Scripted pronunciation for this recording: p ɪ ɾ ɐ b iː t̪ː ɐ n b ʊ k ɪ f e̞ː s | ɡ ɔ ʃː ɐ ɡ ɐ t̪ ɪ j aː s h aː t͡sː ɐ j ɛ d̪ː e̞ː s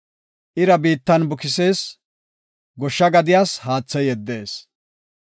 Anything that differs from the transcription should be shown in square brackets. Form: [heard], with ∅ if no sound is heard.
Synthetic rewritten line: [ʔ] ɪ ɾ ɐ b iː t̪ː ɐ n b ʊ k ɪ [s] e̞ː s | ɡ ɔ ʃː ɐ ɡ ɐ [d̪] ɪ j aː s h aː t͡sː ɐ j ɛ d̪ː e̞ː s